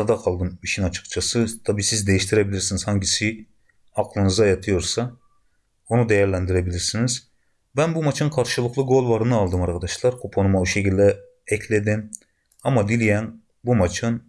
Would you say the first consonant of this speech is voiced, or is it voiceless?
voiced